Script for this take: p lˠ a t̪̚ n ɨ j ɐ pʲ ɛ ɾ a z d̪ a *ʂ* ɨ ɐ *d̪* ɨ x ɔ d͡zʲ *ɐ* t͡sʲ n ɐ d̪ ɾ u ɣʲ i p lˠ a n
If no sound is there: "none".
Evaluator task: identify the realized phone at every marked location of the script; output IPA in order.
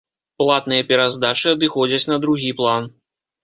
t͡ʂ, d̪, ɐ

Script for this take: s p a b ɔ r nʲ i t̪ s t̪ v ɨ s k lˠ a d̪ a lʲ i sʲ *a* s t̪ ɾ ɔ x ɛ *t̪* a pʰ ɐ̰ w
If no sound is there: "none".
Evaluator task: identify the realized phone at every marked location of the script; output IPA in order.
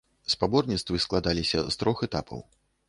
ɐ, t̪

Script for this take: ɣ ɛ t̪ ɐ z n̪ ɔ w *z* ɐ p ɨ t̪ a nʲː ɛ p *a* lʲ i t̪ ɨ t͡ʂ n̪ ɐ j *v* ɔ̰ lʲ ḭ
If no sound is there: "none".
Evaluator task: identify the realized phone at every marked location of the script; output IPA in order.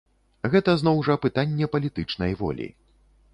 ʐ, ɐ, v

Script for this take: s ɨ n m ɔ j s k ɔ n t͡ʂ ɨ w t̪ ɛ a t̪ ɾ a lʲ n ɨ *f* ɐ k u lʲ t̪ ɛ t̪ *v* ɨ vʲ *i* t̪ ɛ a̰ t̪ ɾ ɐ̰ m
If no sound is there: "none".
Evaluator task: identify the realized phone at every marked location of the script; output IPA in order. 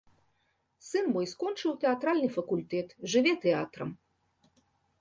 f, ʐ, ɛ

